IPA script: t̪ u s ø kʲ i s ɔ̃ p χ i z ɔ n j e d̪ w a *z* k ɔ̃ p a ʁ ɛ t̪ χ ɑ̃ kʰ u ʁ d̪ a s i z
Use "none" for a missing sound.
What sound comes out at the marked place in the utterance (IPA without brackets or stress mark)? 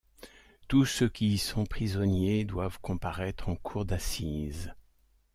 v